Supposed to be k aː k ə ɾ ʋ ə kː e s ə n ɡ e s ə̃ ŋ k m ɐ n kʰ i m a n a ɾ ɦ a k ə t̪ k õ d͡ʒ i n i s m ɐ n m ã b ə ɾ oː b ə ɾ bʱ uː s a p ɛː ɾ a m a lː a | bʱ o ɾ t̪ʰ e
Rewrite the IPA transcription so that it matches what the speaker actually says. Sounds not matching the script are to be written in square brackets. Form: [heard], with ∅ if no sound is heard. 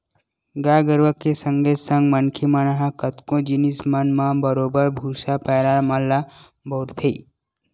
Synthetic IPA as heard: [ɡ] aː [ɡ] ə ɾ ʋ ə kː e s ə [ŋ] ɡ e s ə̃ ŋ [ɡ] m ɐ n kʰ i m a n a [∅] ɦ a k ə t̪ k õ d͡ʒ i n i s m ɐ n m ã b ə ɾ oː b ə ɾ bʱ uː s a p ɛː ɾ a m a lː a | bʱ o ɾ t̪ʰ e